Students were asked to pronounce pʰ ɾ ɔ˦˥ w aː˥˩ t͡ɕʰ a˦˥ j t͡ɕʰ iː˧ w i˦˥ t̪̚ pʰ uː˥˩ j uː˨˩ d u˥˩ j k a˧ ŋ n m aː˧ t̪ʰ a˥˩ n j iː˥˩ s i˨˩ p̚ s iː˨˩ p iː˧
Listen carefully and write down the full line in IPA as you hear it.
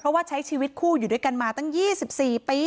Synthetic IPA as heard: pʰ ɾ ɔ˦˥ w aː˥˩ t͡ɕʰ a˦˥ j t͡ɕʰ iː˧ w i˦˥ t̪̚ kʰ uː˥˩ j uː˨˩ d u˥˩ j k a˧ n m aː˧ t̪ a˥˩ ŋ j iː˥˩ s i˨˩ p̚ s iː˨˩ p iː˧